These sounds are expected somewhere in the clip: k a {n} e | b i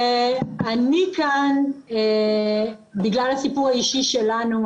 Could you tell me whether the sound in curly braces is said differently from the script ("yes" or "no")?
no